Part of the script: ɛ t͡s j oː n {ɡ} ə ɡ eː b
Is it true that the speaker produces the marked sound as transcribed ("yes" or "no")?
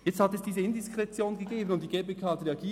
yes